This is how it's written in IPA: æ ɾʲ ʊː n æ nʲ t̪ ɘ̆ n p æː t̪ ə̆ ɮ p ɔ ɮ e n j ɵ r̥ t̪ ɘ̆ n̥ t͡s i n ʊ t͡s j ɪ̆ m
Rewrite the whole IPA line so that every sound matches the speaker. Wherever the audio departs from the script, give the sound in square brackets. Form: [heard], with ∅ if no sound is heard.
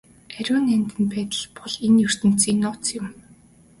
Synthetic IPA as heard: æ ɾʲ ʊː n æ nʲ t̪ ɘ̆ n p æː t̪ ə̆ ɮ p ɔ ɮ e n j ɵ r̥ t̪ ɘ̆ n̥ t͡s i n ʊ t͡s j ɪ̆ m